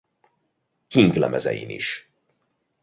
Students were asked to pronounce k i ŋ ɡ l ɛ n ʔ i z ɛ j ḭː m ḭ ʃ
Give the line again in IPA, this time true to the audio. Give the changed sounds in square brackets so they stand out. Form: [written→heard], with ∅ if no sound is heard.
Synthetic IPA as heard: k i ŋ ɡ l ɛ [n→m] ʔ [i→ɛ] z ɛ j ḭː [m→n] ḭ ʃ